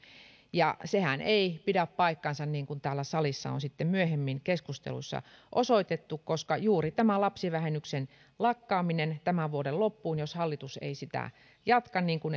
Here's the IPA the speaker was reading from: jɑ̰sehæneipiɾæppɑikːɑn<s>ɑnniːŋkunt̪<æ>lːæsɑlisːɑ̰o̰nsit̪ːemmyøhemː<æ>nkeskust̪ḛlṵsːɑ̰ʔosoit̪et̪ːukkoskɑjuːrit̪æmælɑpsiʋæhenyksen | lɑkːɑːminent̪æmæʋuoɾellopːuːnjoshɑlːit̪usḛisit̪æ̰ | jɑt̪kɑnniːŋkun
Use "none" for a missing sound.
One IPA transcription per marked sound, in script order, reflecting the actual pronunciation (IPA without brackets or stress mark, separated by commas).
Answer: s, æː, i